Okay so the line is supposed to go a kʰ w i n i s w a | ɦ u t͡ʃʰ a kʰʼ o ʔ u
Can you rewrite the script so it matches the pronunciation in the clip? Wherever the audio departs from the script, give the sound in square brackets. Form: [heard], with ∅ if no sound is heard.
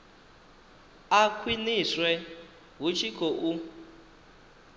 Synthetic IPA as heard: a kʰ w i n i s w [ɛ] | ɦ u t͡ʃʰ [i] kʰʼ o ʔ u